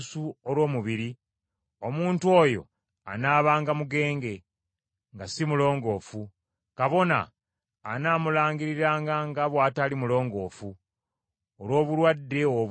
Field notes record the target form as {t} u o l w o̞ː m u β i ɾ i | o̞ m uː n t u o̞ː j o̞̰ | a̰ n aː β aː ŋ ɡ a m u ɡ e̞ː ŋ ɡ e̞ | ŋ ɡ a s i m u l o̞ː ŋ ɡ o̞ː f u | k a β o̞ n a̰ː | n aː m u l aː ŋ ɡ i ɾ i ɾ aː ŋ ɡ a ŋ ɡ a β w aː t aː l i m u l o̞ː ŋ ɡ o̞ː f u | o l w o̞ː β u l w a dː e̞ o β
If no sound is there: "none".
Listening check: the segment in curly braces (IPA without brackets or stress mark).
s